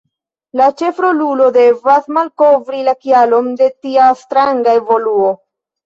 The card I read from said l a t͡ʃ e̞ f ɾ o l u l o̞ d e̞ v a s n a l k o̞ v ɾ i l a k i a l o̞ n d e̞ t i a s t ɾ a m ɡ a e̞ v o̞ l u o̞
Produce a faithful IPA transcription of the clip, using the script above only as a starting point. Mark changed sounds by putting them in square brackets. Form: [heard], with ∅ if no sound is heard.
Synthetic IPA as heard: l a t͡ʃ e̞ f ɾ o l u l o̞ d e̞ v a s [m] a l k o̞ v ɾ i l a k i a l o̞ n d e̞ t i a s t ɾ a [ŋ] ɡ a e̞ v o̞ l u o̞

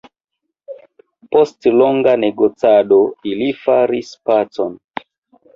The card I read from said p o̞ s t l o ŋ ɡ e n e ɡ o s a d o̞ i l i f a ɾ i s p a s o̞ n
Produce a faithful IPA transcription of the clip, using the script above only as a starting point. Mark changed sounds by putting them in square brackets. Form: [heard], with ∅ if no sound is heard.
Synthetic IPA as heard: p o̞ s t l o ŋ ɡ [a] n e ɡ o [t͡s] a d o̞ i l i f a ɾ i s p a [t͡s] o̞ n

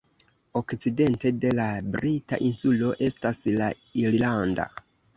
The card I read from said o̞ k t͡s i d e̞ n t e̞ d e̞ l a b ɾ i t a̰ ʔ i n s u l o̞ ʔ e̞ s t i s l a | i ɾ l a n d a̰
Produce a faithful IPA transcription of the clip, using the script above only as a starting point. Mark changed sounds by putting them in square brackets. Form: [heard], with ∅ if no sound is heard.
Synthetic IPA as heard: o̞ k t͡s i d e̞ n t e̞ d e̞ l a b ɾ i t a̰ ʔ i n s u l o̞ ʔ e̞ s t [a] s l a | i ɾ l a n d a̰

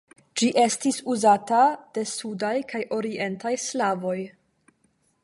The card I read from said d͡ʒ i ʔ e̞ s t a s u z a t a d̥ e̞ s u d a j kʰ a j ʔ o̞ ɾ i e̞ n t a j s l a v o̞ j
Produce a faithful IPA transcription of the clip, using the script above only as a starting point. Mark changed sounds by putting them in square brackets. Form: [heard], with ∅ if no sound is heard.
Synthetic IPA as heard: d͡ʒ i ʔ e̞ s t [i] s u z a t a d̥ e̞ s u d a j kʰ a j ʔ o̞ ɾ i e̞ n t a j s l a v o̞ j

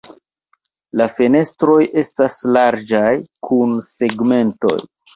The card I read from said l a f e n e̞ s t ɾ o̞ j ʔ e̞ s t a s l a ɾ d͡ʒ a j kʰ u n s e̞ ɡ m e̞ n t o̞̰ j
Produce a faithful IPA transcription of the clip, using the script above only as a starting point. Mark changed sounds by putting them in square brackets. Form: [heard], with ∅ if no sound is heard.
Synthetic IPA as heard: l a f e n e̞ s t ɾ o̞ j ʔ e̞ s t a s l a ɾ d͡ʒ a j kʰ u n s e̞ ɡ m e̞ n t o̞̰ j

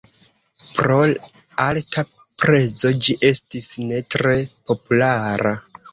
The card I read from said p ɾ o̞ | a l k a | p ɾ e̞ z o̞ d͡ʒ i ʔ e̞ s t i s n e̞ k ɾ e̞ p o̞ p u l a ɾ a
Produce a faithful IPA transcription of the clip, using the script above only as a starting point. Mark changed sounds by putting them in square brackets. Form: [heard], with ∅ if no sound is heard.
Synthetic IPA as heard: p ɾ o̞ | a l k a | p ɾ e̞ z o̞ d͡ʒ i ʔ e̞ s t i s n e̞ [t] ɾ e̞ p o̞ p u l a ɾ a

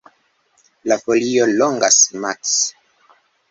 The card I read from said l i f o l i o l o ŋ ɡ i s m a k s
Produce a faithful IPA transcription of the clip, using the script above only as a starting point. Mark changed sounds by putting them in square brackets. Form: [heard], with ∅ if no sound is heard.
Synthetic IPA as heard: l [a] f o l i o l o ŋ ɡ [a] s m a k s

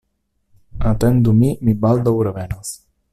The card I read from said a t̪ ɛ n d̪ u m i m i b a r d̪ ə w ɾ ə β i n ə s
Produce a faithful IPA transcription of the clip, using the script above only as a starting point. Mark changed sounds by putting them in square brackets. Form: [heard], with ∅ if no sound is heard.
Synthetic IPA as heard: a t̪ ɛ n d̪ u m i m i b a [l] d̪ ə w ɾ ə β [ɛ] n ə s

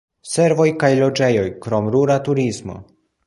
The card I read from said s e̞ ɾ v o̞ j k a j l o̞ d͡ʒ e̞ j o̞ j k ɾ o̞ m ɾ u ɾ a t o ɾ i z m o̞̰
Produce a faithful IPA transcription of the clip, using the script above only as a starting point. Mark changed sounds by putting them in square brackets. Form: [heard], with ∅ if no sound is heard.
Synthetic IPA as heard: s e̞ ɾ v o̞ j k a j l o̞ d͡ʒ e̞ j o̞ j k ɾ o̞ m ɾ u ɾ a t [u] ɾ i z m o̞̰

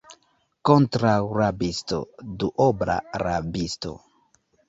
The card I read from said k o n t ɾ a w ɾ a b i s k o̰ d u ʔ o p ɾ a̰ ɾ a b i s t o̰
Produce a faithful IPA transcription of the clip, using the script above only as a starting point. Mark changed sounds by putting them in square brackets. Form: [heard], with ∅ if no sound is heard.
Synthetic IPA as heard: k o n t ɾ a w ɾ a b i s [t] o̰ d u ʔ o [b] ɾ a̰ ɾ a b i s t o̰

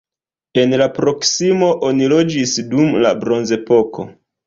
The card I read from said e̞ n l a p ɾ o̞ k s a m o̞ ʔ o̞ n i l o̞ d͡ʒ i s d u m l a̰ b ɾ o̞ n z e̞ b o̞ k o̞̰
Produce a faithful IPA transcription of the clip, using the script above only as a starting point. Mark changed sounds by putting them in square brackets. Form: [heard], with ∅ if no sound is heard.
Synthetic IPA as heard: e̞ n l a p ɾ o̞ k s [i] m o̞ ʔ o̞ n i l o̞ d͡ʒ i s d u m l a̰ b ɾ o̞ n z e̞ [p] o̞ k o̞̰

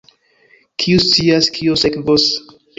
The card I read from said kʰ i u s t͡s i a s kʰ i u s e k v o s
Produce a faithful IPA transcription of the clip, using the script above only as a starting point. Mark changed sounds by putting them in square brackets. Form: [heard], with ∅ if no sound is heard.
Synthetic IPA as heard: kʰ i u s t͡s i a s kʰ i [o] s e k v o s

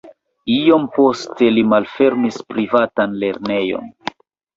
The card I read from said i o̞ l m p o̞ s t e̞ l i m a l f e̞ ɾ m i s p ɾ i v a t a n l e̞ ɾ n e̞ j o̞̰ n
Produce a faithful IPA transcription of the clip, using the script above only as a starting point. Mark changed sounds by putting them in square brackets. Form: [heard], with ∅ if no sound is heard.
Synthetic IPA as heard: i o̞ [∅] m p o̞ s t e̞ l i m a l f e̞ ɾ m i s p ɾ i v a t a n l e̞ ɾ n e̞ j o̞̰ n

